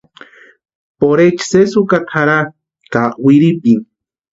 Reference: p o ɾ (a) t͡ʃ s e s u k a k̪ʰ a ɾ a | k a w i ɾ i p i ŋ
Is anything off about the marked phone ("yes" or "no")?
yes